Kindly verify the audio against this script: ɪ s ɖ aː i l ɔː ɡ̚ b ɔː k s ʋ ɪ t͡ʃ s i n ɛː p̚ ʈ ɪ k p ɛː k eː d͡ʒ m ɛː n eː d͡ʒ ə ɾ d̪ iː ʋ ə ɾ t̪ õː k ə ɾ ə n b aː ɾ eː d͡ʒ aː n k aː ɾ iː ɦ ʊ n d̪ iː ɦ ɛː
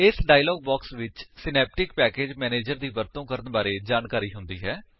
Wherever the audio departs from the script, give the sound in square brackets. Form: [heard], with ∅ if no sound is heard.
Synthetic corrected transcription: ɪ s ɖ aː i l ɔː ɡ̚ b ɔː k s ʋ ɪ t͡ʃ s [ɪ] n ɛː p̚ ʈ ɪ k p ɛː k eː d͡ʒ m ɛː n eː d͡ʒ ə ɾ d̪ iː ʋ ə ɾ t̪ õː k ə ɾ ə n b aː ɾ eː d͡ʒ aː n k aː ɾ iː ɦ ʊ n d̪ iː ɦ ɛː